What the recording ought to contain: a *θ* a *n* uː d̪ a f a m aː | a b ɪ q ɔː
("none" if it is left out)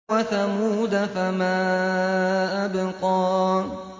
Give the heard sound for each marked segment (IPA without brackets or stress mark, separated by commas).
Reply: θ, m